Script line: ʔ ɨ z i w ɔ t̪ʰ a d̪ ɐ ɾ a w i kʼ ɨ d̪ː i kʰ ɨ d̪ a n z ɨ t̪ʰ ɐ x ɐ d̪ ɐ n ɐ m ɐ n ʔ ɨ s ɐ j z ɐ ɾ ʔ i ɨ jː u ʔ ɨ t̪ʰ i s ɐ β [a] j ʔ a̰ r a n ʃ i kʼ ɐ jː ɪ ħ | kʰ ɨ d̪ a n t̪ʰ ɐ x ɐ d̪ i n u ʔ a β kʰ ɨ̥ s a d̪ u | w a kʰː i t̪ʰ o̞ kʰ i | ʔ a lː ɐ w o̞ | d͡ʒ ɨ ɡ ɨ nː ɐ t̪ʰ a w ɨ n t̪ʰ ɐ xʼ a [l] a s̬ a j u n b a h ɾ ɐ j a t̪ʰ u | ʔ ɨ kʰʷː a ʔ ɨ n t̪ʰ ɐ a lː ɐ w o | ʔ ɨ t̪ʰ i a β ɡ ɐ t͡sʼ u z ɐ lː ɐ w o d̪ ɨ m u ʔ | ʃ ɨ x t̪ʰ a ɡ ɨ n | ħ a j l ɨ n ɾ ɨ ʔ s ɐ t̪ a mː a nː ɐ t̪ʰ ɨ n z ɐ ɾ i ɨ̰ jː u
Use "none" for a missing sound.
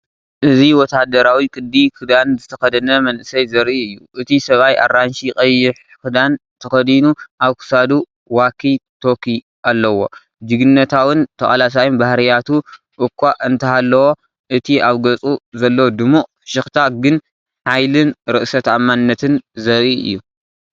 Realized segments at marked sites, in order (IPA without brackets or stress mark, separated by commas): a, l